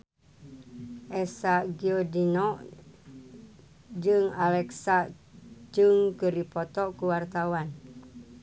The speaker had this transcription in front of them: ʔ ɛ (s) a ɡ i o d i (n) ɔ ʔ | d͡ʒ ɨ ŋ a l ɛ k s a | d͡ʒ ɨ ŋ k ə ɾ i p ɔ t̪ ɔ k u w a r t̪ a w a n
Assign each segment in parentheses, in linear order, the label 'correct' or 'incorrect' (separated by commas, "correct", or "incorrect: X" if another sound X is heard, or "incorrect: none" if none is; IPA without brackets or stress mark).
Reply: correct, correct